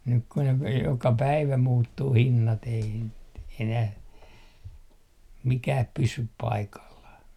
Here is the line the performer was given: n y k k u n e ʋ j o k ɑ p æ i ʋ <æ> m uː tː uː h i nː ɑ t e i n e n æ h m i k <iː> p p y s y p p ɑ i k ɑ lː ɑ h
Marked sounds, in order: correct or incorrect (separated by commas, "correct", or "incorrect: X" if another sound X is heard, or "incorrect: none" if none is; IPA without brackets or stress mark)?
correct, incorrect: æː